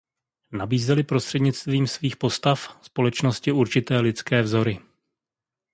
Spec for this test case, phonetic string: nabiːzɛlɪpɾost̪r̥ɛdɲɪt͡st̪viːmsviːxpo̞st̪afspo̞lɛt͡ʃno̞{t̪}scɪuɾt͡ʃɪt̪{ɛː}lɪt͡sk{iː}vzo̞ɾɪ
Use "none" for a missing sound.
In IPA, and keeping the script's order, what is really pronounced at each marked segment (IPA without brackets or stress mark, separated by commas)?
none, ɛː, ɛː